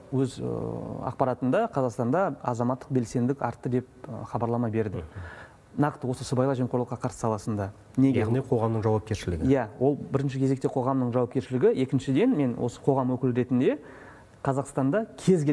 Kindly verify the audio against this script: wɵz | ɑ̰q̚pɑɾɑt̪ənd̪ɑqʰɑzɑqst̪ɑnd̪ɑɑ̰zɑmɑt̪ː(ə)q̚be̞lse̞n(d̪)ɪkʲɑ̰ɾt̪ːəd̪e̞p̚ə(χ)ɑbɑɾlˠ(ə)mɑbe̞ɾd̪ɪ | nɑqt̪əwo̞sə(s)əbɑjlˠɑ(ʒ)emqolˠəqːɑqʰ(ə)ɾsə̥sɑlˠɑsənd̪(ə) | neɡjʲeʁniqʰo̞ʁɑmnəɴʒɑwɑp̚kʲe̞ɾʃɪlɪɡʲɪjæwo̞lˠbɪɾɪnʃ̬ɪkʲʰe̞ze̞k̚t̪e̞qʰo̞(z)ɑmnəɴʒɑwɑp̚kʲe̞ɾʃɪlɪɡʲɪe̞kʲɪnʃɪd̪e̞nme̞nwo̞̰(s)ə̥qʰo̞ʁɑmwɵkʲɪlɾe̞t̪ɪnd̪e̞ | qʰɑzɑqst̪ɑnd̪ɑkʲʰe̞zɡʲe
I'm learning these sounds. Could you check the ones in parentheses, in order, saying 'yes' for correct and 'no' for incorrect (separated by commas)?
yes, yes, yes, no, yes, yes, no, no, no, yes